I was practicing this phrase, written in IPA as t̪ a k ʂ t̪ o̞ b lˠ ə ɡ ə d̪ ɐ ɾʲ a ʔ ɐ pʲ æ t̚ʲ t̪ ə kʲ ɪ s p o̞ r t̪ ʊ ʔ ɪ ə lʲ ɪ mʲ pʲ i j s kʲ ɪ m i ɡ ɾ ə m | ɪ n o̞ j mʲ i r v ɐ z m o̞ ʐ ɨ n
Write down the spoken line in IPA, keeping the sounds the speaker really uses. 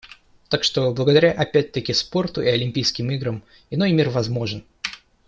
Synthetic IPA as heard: t̪ a k ʂ t̪ o̞ b lˠ ə ɡ ə d̪ ɐ ɾʲ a ʔ ɐ pʲ æ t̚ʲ t̪ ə kʲ ɪ s p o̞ r t̪ ʊ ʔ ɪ ɐ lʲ ɪ mʲ pʲ i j s kʲ ɪ m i ɡ ɾ ə m | ɪ n o̞ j mʲ i r v ɐ z m o̞ ʐ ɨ n